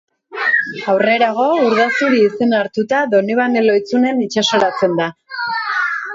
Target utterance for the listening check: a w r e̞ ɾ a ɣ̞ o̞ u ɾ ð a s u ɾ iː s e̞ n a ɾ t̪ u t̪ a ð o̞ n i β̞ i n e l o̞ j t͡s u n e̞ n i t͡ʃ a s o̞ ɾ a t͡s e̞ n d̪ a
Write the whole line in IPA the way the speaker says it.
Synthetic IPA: a w r e̞ ɾ a ɣ̞ o̞ u ɾ ð a s u ɾ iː s e̞ n a ɾ t̪ u t̪ a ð o̞ n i β̞ a n e l o̞ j t͡s u n e̞ n i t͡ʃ a s o̞ ɾ a t͡s e̞ n d̪ a